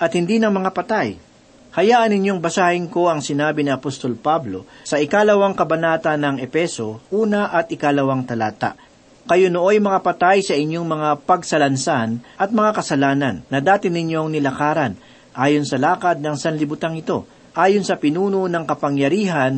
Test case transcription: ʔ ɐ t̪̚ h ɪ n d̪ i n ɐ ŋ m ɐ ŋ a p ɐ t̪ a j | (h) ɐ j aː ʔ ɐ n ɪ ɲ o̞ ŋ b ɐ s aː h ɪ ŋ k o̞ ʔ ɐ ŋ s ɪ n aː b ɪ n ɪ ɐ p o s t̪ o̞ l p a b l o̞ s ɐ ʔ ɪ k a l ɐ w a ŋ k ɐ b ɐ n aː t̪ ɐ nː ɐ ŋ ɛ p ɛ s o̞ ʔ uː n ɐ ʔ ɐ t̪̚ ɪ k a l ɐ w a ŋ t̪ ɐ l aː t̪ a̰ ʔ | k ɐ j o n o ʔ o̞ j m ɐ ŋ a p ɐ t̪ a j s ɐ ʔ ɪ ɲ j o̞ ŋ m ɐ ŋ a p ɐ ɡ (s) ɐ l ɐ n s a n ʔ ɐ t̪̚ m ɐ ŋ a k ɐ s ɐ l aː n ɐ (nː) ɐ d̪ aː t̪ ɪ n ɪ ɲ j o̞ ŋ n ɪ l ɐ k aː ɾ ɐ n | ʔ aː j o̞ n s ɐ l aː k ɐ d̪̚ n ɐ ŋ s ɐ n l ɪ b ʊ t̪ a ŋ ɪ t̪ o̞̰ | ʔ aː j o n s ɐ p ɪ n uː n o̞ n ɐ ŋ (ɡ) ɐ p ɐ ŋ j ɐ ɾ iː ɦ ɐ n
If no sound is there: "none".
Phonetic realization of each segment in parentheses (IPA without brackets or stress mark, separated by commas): h, s, nː, k